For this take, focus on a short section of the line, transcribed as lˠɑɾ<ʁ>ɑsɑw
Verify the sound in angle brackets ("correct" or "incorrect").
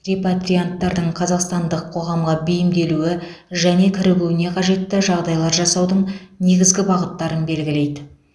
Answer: incorrect